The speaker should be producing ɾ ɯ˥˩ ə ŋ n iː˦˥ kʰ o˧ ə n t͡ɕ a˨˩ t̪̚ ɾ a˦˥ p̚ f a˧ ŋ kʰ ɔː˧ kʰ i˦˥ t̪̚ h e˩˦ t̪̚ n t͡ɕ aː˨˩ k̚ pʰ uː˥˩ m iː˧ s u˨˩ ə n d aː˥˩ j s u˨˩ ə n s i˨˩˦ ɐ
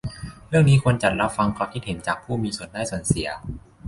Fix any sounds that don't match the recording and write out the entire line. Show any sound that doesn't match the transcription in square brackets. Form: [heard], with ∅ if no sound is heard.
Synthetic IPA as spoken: ɾ ɯ˥˩ ə ŋ n iː˦˥ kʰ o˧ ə n t͡ɕ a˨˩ t̪̚ ɾ a˦˥ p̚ f a˧ ŋ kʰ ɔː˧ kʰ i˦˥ t̪̚ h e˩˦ [∅] n t͡ɕ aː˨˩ k̚ pʰ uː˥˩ m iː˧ s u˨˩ ə n d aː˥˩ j s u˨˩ ə n s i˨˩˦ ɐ